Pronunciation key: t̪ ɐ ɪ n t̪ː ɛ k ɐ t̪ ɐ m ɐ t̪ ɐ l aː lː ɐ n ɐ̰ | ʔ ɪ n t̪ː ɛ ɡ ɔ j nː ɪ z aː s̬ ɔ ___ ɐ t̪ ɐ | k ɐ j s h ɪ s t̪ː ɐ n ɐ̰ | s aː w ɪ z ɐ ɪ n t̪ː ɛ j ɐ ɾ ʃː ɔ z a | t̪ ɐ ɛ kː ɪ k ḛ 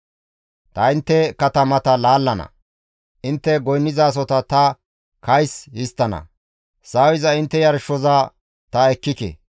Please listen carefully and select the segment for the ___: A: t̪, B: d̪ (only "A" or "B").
A